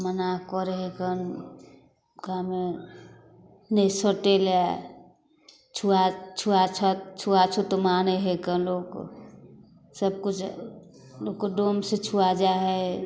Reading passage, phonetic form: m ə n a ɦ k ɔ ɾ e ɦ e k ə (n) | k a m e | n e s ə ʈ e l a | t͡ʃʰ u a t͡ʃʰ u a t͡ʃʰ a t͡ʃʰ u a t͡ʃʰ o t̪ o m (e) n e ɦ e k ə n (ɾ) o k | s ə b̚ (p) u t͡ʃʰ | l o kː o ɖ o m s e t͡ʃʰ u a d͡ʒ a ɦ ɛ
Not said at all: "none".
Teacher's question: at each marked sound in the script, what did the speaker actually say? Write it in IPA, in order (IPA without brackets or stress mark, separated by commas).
n, a, l, k